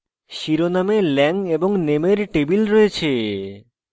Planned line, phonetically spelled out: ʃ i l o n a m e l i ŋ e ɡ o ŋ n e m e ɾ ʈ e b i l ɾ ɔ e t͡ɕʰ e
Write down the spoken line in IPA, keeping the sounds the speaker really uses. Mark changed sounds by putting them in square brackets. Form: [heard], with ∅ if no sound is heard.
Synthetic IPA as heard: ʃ i [ɾ] o n a m e l [ɛ] ŋ e [b] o ŋ n e m e ɾ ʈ e b i l ɾ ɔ e t͡ɕʰ e